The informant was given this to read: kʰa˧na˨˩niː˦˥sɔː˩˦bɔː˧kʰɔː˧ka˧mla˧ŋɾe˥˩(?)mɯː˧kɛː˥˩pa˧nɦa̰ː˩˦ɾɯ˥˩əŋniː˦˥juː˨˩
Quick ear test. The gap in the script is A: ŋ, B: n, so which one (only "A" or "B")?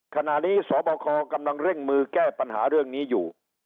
A